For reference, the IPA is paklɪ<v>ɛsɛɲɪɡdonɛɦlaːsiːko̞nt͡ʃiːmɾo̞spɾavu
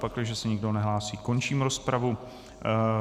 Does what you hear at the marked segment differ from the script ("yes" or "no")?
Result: yes